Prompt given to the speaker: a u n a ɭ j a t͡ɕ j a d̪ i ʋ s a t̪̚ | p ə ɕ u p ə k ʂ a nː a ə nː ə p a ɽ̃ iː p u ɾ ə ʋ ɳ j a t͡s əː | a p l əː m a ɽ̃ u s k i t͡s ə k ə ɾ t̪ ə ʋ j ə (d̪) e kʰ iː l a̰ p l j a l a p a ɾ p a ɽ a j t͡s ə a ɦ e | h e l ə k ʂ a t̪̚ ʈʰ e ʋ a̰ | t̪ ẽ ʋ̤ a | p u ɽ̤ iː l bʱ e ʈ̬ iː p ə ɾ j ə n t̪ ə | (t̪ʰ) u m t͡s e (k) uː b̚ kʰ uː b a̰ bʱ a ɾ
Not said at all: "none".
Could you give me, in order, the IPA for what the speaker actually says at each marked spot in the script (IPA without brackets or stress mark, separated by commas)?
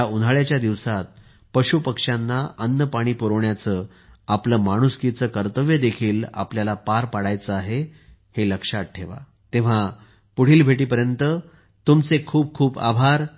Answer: d̪, t̪, kʰ